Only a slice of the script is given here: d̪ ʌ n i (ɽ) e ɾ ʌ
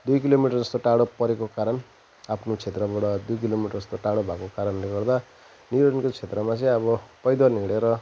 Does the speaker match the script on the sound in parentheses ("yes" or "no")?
yes